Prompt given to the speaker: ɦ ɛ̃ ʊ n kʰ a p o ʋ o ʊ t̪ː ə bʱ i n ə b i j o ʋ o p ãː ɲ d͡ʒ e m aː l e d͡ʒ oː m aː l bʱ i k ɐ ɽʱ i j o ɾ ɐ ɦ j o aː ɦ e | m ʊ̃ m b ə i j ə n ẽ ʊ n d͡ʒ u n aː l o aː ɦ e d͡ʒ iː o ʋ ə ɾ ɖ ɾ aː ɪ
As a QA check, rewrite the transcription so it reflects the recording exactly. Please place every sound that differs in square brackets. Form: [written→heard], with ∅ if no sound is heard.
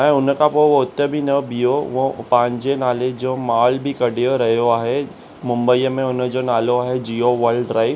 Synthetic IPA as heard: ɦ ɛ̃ ʊ n [kʰ→k] a p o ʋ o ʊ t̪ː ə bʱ i n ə b i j o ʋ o p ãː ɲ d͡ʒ e [m→n] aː l e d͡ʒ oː m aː l bʱ i k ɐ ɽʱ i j o ɾ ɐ ɦ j o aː ɦ e | m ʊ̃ m b ə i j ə [n→m] ẽ ʊ n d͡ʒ [u→o] n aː l o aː ɦ e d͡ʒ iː o ʋ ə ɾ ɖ ɾ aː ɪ